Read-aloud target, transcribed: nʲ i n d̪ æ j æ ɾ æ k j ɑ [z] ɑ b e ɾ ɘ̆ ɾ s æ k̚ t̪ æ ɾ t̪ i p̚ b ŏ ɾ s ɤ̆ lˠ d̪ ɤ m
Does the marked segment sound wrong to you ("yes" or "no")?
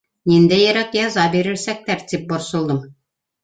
no